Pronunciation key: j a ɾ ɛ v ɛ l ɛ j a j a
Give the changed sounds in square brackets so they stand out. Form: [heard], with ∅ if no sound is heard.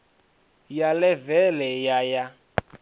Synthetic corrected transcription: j a [l] ɛ v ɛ l ɛ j a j a